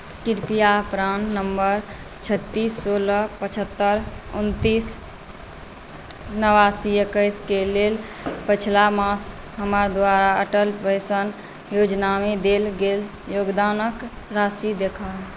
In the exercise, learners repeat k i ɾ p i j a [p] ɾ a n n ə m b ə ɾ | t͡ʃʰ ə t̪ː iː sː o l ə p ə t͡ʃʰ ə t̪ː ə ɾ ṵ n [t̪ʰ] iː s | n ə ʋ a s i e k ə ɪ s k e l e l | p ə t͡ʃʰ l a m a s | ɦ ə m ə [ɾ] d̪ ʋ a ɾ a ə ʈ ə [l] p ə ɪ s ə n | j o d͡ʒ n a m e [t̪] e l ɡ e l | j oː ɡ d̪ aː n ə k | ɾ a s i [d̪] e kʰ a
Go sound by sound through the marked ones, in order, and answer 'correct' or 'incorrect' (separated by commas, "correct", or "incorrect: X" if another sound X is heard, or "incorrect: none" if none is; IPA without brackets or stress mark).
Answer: correct, incorrect: t̪, correct, correct, incorrect: d̪, correct